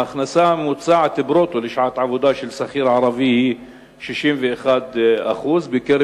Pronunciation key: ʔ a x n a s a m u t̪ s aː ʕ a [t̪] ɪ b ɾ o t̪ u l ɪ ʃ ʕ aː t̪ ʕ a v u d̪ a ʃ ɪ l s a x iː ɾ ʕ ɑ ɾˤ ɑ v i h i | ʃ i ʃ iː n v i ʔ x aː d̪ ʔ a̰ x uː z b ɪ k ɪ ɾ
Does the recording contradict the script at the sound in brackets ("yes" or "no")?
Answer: no